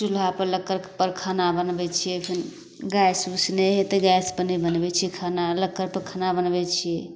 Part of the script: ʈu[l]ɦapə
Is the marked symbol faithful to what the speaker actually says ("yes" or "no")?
yes